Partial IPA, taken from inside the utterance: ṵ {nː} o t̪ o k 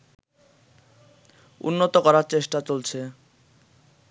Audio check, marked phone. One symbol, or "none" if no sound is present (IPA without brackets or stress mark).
nː